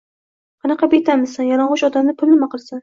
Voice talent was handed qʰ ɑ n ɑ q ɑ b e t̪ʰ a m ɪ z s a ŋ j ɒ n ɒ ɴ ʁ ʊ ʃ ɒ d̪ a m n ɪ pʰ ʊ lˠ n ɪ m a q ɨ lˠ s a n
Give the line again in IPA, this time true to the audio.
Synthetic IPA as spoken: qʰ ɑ n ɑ q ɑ b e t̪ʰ a m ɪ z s a n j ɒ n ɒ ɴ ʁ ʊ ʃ ɒ d̪ a m n ɪ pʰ ʊ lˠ n ɪ m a q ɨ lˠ s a n